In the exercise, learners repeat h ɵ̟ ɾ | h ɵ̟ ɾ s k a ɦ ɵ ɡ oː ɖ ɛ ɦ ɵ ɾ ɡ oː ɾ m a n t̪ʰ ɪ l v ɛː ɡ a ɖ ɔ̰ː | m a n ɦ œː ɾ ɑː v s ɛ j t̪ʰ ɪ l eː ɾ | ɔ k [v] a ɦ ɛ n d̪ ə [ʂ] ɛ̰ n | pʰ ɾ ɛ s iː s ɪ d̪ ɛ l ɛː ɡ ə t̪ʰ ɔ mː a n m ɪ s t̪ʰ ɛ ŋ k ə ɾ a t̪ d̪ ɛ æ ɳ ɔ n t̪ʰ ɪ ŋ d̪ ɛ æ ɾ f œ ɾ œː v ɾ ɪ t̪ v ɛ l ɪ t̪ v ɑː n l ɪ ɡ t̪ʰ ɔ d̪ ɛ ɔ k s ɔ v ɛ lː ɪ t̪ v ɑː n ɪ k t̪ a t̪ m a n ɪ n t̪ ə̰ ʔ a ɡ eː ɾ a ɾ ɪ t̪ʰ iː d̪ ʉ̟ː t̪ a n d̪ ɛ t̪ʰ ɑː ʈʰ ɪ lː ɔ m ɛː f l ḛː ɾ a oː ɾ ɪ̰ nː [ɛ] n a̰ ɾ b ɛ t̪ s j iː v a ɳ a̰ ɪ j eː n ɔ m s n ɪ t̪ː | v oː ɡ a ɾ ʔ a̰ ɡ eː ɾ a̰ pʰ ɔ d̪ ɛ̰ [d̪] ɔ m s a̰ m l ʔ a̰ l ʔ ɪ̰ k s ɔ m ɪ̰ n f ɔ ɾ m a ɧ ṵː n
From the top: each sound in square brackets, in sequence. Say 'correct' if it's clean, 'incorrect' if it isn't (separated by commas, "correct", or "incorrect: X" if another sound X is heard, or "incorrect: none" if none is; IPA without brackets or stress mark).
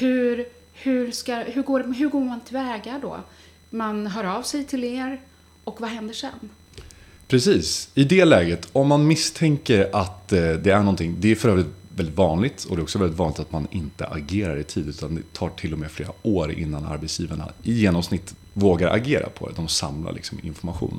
correct, correct, incorrect: a, correct